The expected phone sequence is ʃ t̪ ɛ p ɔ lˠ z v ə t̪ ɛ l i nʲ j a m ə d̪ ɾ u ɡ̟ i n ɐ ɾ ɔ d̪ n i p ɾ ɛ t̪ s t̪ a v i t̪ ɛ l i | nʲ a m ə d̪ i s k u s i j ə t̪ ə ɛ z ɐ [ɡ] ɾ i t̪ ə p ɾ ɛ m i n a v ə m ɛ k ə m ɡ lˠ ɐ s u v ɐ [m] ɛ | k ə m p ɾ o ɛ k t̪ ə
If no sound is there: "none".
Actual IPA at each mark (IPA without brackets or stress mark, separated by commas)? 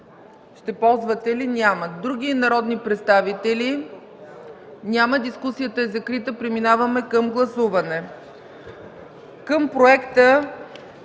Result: k, n